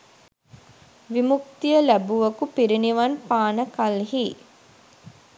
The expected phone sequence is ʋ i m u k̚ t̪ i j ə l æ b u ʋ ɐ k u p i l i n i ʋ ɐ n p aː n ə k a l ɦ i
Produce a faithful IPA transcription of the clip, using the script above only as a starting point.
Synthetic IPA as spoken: ʋ i m u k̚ t̪ i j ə l æ b u ʋ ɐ k u p i ɾ i n i ʋ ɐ n p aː n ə k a l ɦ i